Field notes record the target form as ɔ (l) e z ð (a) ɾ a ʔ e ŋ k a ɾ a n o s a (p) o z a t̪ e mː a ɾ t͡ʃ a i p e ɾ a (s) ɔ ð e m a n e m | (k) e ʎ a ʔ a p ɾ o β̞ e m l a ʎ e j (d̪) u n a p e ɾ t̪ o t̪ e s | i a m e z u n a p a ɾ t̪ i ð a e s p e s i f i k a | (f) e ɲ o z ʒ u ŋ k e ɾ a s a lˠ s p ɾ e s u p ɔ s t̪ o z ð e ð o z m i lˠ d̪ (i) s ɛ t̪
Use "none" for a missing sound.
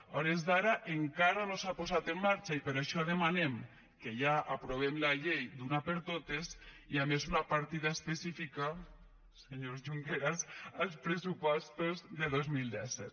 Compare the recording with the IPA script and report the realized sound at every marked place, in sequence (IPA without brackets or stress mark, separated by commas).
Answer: ɾ, a, p, ʃ, k, d̪, s, ɛ